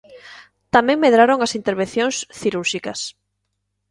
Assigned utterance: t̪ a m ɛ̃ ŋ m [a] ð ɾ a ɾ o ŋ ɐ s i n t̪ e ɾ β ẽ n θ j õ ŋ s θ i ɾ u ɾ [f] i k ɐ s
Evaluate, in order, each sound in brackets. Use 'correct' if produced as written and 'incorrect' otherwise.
incorrect, incorrect

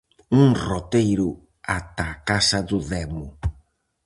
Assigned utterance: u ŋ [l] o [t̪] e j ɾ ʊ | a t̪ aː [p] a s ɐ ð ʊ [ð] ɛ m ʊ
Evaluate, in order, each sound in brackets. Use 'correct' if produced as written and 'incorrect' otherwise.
incorrect, correct, incorrect, correct

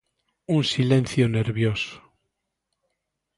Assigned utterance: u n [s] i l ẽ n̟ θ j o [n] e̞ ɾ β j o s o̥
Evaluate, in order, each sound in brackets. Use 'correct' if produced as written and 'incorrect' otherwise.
correct, correct

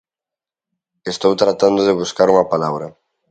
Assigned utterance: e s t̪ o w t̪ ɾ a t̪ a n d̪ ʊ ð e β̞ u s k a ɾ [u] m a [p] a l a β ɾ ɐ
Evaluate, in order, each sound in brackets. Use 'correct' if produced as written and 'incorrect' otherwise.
correct, correct

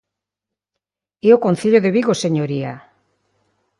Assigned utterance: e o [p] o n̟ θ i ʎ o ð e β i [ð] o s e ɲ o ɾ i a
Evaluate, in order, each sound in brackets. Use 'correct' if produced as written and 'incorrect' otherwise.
incorrect, incorrect

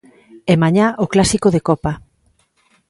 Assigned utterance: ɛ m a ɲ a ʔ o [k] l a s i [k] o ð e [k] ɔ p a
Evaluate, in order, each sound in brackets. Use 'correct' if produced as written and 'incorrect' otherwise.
correct, correct, correct

